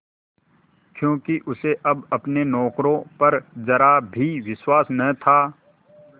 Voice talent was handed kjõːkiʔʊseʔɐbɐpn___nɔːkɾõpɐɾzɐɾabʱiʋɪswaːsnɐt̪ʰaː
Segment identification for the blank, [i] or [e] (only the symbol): e